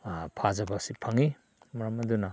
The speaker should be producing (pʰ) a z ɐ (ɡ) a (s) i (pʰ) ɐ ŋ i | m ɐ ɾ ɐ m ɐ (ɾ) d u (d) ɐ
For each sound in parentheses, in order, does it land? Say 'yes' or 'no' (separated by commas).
yes, no, yes, yes, no, no